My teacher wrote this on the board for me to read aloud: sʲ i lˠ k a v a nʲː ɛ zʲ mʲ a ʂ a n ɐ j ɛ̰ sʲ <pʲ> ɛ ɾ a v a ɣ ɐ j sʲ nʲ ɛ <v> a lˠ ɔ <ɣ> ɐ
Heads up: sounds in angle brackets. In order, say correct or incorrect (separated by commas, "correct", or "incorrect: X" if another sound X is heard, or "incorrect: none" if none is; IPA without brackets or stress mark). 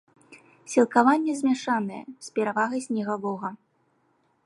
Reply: correct, incorrect: ɣ, correct